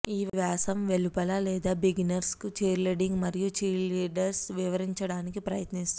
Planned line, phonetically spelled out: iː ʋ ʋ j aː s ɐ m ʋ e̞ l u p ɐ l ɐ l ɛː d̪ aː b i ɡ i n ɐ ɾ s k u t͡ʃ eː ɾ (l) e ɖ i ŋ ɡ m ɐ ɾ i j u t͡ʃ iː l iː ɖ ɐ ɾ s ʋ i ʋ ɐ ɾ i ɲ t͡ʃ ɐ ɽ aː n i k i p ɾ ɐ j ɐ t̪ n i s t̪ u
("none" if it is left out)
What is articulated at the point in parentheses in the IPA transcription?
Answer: l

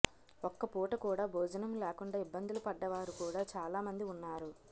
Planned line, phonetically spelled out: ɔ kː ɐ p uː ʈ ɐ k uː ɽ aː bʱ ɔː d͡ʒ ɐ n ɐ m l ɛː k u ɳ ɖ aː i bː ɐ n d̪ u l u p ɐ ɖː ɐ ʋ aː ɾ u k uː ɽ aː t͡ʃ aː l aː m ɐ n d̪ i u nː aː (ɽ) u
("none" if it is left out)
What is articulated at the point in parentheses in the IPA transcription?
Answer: ɾ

